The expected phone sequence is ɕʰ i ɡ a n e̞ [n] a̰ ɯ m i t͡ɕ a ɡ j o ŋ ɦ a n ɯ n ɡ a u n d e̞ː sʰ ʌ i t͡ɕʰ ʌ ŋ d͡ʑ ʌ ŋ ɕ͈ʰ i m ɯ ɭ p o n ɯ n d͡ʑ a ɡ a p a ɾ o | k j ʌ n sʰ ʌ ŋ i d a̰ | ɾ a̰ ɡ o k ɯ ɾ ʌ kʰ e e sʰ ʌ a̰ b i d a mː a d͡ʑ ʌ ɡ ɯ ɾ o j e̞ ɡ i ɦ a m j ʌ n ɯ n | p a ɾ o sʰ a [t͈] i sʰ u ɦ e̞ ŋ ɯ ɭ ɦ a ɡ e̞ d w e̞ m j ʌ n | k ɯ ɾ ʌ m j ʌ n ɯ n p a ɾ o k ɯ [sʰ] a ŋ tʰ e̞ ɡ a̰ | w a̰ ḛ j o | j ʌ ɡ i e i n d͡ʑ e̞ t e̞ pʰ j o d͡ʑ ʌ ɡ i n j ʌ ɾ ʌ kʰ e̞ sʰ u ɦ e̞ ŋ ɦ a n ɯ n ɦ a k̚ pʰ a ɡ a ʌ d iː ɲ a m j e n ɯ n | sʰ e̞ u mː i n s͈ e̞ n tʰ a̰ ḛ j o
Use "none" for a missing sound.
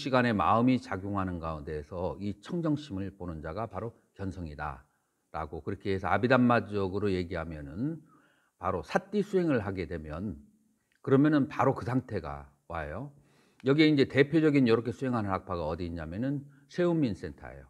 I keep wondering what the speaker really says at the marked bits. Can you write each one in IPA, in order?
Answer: m, t͈, sʰ

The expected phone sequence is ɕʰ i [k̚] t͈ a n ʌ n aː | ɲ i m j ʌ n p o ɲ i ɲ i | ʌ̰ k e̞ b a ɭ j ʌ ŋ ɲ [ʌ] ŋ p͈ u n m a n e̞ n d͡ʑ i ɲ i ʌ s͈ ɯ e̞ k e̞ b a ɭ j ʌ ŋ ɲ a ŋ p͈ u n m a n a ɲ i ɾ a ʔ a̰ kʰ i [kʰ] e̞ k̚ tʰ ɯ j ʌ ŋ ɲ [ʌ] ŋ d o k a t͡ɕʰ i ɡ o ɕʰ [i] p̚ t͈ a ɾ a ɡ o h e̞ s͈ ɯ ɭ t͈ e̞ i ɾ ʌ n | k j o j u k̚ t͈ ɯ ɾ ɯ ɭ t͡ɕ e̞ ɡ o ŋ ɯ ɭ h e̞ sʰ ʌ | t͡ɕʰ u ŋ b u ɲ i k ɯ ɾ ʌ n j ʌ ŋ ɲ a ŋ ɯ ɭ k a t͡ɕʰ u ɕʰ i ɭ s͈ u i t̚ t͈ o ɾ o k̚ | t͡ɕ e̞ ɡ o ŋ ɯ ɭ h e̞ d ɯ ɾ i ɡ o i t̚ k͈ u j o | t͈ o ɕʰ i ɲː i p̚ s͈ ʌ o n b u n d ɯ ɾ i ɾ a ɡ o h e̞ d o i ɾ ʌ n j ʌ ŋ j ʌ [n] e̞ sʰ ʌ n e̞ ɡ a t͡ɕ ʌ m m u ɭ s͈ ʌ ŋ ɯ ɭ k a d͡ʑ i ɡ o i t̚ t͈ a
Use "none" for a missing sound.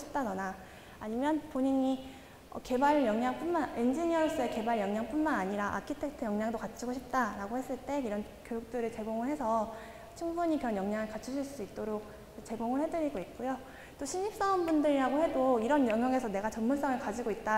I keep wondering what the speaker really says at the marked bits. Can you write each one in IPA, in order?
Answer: p̚, a, tʰ, a, i, ŋ

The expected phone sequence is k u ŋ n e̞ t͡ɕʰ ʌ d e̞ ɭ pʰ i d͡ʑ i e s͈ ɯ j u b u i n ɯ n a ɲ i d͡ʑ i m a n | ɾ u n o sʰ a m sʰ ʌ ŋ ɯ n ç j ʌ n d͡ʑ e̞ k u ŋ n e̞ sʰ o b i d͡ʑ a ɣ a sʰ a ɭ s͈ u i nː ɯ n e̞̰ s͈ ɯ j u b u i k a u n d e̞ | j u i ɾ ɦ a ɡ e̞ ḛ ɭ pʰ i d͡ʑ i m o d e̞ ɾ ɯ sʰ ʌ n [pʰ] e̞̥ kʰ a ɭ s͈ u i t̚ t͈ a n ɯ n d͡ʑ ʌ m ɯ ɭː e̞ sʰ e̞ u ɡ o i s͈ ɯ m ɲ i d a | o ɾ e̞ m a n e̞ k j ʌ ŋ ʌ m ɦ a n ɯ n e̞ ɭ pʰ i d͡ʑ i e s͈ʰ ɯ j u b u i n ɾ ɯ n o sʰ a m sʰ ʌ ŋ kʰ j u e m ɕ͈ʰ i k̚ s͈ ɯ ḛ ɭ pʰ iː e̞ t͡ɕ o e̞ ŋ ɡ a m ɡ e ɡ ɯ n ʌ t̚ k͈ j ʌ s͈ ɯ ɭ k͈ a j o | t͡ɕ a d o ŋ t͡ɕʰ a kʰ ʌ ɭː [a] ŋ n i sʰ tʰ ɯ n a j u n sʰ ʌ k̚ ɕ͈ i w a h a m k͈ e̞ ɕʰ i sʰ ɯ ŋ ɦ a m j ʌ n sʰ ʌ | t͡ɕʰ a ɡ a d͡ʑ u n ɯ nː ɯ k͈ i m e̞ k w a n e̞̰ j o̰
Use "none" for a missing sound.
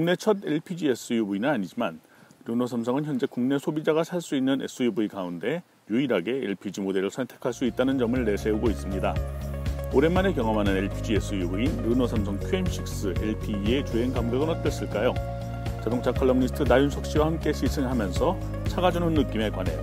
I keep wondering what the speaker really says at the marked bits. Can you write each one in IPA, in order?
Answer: tʰ, ʌ

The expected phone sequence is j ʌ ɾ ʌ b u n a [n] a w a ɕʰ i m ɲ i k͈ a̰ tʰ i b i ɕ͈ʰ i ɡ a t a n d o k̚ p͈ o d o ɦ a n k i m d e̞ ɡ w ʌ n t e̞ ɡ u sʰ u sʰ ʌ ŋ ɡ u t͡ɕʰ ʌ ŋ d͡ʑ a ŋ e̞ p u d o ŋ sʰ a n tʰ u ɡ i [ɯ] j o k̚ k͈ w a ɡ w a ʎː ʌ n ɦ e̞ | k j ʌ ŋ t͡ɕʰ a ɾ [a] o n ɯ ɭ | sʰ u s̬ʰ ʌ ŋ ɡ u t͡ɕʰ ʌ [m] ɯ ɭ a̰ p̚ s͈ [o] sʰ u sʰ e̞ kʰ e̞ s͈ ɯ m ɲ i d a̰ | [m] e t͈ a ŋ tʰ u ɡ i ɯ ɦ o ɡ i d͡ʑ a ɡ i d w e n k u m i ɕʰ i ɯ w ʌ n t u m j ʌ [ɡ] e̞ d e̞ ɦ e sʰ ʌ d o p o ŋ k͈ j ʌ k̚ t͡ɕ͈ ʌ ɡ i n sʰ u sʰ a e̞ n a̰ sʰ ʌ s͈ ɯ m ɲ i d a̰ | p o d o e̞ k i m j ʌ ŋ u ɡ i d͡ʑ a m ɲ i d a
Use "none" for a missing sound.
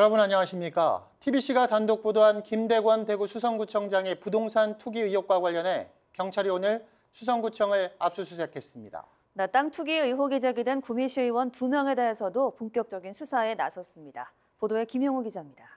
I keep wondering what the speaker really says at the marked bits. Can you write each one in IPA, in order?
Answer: ɲ, ɯ, i, ŋ, u, n, ŋ

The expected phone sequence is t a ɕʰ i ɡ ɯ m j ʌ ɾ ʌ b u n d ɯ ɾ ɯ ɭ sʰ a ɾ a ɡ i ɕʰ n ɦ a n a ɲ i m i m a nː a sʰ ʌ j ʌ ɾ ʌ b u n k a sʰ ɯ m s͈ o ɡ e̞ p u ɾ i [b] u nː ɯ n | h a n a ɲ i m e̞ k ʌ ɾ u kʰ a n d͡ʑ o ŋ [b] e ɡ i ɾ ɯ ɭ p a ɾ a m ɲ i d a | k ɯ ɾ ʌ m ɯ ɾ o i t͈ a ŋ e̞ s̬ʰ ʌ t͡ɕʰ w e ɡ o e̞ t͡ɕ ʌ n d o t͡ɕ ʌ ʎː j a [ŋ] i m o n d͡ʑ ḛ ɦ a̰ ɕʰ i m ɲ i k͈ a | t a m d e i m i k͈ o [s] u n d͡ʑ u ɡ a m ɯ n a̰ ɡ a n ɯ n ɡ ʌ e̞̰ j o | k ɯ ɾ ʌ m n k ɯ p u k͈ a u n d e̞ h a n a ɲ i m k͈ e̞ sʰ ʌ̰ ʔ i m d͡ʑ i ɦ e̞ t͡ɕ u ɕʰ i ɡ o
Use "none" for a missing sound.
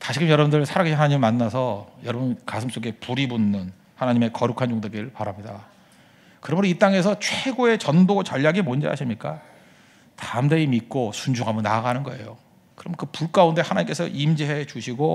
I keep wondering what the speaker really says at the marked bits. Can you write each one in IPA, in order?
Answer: b, d, ɡ, s

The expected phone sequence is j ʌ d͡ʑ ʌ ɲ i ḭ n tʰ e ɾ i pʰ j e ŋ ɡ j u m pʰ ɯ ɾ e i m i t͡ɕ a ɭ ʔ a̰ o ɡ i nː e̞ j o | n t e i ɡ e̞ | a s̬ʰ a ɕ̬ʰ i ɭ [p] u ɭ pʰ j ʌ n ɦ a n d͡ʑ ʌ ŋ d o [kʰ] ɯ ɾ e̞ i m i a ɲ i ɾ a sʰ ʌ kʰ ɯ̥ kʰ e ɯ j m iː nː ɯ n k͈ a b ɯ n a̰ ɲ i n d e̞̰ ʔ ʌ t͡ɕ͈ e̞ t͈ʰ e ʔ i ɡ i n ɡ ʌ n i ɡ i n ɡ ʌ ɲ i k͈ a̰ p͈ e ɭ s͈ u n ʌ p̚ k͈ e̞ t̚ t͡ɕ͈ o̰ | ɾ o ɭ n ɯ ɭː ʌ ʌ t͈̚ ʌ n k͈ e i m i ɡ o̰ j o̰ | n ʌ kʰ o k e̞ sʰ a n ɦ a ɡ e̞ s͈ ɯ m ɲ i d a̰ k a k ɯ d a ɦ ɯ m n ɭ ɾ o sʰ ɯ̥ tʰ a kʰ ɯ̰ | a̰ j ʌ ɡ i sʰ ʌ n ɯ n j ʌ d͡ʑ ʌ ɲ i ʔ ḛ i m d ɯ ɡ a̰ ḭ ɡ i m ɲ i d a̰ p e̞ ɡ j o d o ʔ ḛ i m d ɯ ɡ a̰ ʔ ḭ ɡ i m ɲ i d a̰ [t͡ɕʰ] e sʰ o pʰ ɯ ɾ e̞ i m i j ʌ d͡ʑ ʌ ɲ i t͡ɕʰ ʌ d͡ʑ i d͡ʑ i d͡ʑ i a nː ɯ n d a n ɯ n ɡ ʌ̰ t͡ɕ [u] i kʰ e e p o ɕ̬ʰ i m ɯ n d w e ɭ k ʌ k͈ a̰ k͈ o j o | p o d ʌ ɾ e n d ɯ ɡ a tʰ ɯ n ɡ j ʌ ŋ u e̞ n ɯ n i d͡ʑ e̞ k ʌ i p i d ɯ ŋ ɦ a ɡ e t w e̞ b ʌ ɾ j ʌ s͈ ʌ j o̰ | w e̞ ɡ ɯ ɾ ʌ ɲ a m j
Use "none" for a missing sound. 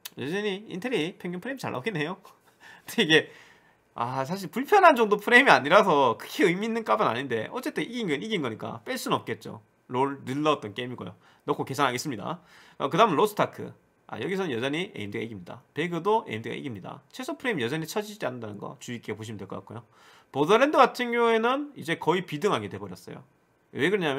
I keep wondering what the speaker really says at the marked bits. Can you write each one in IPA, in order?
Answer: p, pʰ, t͡ɕʰ, u

